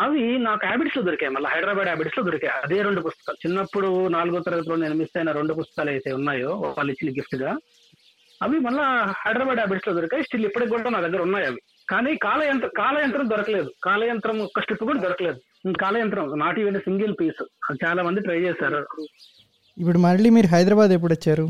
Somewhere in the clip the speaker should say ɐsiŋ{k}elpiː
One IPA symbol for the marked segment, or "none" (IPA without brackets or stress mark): ɡ